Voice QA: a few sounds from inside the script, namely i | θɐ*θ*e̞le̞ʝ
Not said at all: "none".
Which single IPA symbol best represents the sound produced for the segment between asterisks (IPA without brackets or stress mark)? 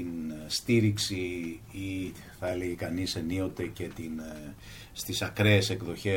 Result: none